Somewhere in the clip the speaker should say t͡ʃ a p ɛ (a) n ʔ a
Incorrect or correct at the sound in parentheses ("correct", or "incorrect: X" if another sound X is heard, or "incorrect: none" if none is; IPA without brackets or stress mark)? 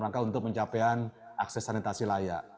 correct